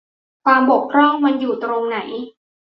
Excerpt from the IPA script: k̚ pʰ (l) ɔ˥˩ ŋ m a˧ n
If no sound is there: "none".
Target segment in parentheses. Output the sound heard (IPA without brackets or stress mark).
ɾ